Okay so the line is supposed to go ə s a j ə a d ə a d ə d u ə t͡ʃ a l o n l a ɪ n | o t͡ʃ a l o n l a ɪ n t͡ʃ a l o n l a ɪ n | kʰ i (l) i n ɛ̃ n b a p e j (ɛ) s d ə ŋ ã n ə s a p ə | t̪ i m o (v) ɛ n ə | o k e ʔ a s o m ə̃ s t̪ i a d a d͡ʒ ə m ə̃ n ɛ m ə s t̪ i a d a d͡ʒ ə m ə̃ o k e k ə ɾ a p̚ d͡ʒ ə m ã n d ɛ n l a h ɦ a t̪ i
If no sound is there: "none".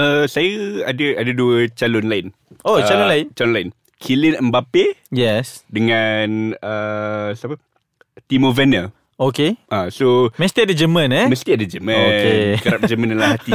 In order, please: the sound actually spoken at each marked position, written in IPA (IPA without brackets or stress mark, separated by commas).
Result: l, ɛ, v